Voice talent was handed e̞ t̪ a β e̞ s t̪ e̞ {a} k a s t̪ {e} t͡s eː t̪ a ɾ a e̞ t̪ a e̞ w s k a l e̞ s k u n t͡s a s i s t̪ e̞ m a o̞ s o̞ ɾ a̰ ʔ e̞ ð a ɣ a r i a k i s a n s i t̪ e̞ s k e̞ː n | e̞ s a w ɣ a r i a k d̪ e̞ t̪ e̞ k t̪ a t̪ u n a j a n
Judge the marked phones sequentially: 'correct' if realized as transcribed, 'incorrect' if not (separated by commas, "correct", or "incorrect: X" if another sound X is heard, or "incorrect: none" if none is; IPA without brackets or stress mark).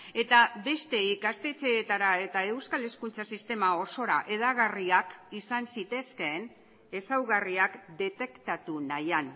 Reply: incorrect: i, correct